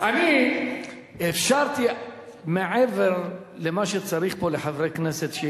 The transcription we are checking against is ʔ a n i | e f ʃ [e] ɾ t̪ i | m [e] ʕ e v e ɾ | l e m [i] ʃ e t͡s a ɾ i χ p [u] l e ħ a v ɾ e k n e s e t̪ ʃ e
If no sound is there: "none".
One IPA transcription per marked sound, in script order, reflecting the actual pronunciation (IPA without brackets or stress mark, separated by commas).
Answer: a, e, a, o